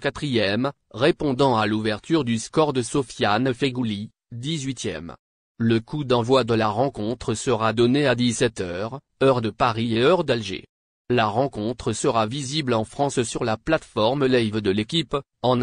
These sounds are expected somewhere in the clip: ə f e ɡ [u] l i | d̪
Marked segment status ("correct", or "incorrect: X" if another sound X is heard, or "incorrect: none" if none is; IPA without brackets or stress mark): correct